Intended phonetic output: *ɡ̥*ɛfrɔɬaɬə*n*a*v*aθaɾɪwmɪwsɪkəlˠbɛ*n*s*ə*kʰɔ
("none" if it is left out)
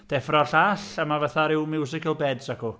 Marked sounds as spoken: d̥, m, v, d, a

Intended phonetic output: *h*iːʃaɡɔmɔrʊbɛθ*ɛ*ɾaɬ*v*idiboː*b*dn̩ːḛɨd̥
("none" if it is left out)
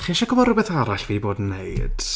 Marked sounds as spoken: χ, a, v, none

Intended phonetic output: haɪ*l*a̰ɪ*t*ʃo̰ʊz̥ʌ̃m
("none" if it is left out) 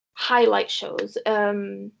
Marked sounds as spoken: l, t

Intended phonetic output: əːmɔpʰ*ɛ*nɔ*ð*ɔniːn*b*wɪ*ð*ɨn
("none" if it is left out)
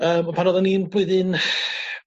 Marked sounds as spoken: a, ð, b, ð

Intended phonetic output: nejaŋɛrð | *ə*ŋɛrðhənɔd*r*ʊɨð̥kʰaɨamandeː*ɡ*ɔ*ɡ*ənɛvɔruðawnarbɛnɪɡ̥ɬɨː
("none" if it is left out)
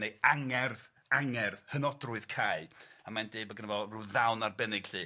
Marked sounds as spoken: a, r, b, ɡ

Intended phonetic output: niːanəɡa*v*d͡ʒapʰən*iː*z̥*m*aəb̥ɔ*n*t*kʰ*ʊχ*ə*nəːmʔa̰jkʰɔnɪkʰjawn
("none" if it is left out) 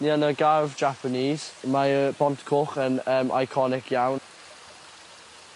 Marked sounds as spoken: v, iː, m, n, kʰ, ə

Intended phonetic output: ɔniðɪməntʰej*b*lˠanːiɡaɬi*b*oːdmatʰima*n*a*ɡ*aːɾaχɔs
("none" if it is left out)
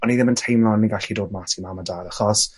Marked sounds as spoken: m, d, m, d

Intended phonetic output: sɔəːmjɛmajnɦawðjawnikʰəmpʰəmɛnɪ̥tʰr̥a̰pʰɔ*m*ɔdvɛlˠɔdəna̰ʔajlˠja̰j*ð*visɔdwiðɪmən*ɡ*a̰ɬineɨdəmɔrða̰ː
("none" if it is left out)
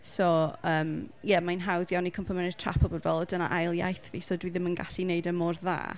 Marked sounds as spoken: b, θ, ɡ

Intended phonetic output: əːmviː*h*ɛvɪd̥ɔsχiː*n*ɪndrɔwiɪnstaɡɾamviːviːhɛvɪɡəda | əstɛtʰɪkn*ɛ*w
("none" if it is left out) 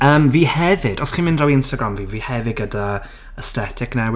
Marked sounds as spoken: h, m, ɛ

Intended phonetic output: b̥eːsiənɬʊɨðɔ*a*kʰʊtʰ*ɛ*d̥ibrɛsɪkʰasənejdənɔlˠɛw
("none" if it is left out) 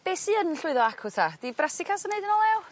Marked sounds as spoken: a, a

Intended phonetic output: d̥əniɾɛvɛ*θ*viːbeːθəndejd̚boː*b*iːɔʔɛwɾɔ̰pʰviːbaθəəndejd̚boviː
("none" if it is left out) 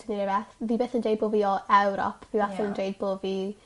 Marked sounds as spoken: θ, v

